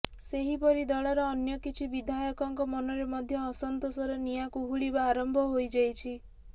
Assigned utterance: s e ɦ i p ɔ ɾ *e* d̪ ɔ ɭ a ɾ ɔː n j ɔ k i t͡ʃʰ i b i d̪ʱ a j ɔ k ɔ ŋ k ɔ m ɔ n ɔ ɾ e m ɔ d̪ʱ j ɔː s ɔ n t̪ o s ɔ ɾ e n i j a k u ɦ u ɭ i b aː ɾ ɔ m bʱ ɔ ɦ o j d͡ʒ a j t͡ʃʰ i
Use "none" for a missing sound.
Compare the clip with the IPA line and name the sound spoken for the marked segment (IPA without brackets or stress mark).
i